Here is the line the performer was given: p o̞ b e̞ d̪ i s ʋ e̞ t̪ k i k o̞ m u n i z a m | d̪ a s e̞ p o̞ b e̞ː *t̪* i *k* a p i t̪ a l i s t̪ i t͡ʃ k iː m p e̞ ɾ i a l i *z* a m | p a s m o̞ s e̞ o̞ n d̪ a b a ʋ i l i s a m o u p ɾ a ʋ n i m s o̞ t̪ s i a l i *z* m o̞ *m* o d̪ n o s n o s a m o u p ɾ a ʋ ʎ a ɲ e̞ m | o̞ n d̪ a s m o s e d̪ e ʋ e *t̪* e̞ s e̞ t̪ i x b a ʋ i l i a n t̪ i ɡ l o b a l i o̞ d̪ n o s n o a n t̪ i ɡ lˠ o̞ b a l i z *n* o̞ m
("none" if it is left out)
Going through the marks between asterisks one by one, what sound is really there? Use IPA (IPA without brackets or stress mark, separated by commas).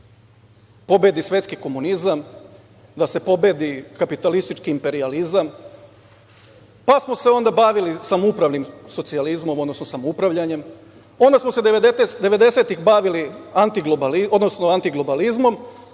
d̪, k, z, z, m, d̪, m